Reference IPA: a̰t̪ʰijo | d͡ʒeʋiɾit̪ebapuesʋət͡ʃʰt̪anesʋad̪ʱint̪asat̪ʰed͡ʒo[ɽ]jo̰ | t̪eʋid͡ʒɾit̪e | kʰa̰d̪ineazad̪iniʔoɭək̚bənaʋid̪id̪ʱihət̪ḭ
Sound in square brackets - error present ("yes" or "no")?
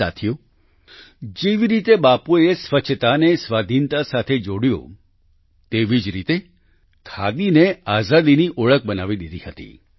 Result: no